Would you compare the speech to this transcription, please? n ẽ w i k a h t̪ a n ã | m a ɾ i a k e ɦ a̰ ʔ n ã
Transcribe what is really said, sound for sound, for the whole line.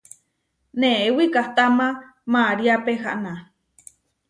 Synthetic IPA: n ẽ w i k a h t̪ a m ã | m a ɾ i a p e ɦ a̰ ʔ n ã